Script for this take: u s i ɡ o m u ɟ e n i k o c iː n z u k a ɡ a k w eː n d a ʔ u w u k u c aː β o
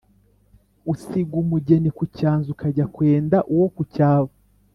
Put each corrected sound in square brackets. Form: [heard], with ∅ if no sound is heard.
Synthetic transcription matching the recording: u s i ɡ [u] m u ɟ e n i k [u] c [aː] n z u k a [ɟ] a k w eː n d a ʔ u w [o] k u c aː β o